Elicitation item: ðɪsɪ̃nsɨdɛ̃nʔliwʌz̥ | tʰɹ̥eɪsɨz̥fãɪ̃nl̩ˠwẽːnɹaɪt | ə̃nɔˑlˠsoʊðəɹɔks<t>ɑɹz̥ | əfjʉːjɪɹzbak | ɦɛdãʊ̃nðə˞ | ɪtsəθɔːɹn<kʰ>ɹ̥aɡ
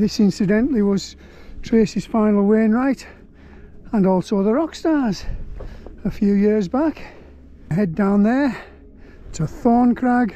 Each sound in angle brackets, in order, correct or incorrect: correct, correct

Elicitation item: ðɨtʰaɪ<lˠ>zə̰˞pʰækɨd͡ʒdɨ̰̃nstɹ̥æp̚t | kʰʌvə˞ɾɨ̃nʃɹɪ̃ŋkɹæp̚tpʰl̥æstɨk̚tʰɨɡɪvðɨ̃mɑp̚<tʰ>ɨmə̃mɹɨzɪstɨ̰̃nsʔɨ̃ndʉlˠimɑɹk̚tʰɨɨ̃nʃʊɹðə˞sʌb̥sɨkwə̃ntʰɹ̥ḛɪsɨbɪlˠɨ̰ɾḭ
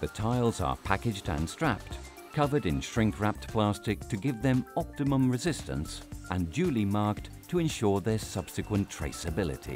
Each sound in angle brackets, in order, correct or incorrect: correct, incorrect: t

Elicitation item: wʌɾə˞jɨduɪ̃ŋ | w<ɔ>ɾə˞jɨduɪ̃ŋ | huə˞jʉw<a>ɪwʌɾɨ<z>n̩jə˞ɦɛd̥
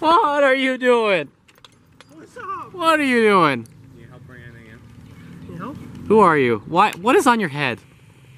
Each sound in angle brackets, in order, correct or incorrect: incorrect: ʌ, correct, correct

